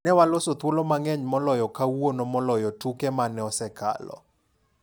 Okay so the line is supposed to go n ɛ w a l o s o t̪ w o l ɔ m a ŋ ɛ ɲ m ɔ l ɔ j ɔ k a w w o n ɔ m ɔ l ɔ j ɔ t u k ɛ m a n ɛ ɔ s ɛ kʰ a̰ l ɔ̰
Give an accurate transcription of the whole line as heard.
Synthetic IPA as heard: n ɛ w a l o s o t̪ w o l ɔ m a ŋ ɛ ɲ m ɔ l ɔ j ɔ k a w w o n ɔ m ɔ l ɔ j ɔ t u k ɛ m a n ɛ ɔ s ɛ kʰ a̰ l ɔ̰